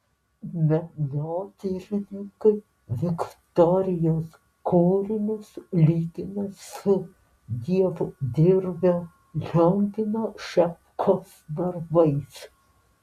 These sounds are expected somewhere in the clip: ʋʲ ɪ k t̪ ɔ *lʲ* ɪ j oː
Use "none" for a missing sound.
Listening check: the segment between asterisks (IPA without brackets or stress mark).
ɾʲ